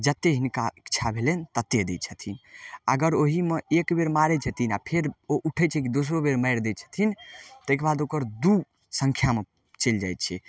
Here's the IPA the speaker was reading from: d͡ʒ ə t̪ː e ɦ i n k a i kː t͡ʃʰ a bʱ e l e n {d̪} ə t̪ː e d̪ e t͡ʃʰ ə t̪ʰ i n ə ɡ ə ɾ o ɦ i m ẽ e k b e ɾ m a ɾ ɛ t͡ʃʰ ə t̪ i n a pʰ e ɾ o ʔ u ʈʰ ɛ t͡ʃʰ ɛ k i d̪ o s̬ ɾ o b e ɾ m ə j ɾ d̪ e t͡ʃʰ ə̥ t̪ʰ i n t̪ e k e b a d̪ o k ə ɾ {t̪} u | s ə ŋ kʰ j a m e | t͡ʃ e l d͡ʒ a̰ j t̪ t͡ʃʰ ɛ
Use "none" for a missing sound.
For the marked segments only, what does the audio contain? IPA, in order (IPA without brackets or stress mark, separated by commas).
t̪, d̪